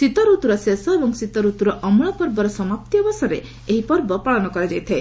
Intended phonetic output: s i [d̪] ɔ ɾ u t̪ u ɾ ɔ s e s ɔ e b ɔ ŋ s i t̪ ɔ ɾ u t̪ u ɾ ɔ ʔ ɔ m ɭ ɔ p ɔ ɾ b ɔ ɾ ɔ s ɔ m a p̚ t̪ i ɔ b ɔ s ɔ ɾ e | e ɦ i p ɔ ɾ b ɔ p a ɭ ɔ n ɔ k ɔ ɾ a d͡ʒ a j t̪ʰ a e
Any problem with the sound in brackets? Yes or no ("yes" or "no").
yes